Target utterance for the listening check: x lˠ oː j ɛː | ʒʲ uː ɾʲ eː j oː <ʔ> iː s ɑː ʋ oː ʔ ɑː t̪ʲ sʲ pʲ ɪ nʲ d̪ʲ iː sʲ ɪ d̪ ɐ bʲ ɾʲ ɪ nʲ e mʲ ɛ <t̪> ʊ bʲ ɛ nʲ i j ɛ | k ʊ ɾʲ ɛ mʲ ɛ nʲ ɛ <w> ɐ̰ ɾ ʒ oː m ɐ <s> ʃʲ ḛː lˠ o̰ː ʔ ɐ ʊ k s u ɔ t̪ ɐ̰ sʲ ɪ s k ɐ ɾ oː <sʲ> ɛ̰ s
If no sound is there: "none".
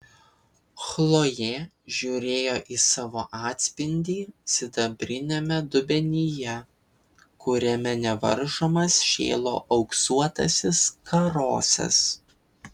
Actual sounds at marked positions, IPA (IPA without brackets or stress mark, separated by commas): ʔ, d̪, ʋ, s, sʲ